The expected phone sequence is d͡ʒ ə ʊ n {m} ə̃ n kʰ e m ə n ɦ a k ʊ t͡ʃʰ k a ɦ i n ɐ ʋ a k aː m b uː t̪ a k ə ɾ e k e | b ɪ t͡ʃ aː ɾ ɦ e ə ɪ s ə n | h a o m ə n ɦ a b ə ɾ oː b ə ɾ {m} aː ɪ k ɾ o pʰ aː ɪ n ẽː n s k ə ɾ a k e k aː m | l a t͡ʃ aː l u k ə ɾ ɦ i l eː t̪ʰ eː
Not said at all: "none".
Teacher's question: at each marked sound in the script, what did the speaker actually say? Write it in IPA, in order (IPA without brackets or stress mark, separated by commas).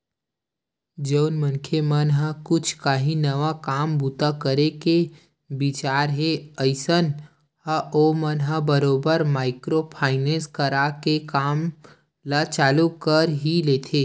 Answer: m, m